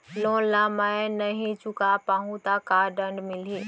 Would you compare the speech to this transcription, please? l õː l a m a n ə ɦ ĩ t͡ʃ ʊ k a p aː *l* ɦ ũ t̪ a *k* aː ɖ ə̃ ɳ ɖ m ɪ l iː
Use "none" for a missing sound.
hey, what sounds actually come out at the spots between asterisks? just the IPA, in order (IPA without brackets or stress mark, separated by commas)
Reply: none, k